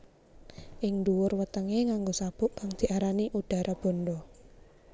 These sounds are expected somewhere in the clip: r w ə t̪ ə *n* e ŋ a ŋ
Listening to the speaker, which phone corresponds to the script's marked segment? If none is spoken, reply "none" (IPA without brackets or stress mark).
ŋ